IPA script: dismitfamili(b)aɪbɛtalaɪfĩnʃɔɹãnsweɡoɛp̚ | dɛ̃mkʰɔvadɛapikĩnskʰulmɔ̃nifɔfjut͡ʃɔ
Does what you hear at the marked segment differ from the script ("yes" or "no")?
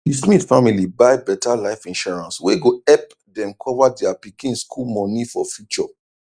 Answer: no